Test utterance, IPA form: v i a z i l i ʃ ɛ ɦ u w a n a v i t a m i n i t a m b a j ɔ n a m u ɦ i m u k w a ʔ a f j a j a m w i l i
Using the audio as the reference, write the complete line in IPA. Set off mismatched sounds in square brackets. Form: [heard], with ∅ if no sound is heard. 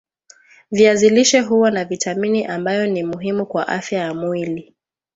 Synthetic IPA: v i a z i l i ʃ ɛ ɦ u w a n a v i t a m i n i [ʔ] a m b a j ɔ n [i] m u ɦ i m u k w a ʔ a f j a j a m w i l i